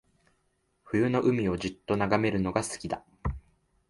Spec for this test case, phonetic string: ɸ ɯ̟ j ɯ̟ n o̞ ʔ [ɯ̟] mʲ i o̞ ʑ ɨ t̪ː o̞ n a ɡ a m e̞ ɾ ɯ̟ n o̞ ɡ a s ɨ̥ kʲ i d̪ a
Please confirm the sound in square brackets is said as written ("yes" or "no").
yes